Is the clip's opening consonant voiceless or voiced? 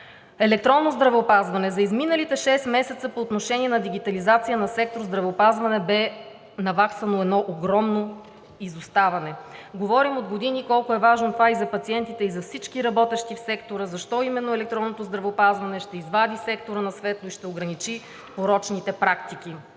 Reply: voiced